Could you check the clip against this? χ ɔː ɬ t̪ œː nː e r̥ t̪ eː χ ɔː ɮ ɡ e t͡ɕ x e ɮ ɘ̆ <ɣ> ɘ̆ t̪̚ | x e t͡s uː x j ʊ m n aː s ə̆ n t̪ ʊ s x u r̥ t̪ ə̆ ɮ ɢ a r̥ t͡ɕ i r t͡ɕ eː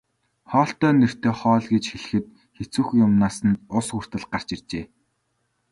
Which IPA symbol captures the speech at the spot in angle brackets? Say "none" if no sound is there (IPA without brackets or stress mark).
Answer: x